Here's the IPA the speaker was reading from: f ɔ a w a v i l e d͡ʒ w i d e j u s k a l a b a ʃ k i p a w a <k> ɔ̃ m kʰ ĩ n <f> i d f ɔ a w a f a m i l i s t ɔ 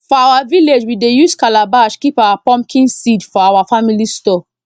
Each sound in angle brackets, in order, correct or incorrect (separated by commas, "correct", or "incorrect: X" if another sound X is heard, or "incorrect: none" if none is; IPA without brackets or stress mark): incorrect: p, incorrect: s